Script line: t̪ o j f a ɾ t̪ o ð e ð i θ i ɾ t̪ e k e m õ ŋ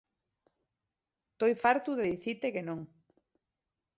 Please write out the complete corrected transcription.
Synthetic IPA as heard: t̪ o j f a ɾ t̪ u ð e ð i θ i t̪ e k e n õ ŋ